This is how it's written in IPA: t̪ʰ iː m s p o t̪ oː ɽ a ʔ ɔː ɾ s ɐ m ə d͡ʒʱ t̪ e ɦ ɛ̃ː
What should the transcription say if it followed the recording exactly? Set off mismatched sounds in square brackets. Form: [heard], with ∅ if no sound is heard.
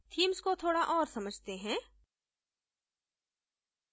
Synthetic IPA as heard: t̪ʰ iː m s [k] o [t̪ʰ] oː ɽ a ʔ ɔː ɾ s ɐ m ə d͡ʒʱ t̪ e ɦ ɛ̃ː